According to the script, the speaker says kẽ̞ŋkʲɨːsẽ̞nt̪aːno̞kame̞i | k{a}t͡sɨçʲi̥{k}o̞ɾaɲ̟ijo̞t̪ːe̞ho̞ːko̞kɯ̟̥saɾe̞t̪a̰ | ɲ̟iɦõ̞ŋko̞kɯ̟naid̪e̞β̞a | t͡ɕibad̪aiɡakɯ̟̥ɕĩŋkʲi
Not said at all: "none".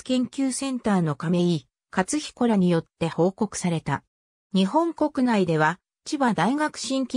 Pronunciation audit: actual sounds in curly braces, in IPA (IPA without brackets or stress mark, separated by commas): a, k